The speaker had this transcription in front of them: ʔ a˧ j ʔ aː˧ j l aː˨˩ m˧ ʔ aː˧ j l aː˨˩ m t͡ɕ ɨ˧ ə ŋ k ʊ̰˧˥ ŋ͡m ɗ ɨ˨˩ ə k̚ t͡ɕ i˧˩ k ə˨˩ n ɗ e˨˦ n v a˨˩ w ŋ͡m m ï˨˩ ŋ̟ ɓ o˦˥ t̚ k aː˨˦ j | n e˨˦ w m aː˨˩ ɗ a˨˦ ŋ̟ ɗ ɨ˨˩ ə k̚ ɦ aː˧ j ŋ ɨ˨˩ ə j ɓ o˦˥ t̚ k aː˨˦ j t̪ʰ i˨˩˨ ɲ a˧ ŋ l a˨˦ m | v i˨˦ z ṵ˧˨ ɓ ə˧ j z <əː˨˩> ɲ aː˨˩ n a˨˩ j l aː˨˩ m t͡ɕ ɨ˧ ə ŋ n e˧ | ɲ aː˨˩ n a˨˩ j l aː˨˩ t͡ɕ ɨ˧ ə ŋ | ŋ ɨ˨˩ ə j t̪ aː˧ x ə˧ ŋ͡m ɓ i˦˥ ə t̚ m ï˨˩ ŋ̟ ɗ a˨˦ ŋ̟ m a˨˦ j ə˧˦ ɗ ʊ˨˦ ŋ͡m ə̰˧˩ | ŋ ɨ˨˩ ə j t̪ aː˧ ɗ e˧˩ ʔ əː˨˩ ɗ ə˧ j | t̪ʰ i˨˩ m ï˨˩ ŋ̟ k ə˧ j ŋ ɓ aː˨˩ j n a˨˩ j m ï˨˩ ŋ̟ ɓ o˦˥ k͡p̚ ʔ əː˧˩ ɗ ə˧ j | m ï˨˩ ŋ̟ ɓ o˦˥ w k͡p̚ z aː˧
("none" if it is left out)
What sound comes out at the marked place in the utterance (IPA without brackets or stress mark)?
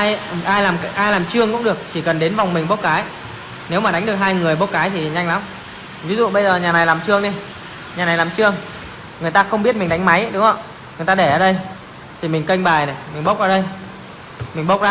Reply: əː˨˩